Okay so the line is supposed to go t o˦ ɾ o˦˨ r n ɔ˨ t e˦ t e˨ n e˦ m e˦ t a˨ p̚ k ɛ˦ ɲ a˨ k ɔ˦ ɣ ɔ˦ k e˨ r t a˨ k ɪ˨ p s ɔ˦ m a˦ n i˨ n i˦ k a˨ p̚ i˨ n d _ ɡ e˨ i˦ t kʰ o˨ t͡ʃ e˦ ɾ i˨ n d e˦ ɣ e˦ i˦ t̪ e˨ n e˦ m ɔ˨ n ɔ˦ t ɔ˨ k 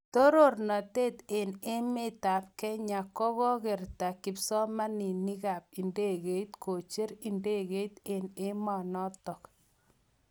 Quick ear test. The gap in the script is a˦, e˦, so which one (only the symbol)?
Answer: e˦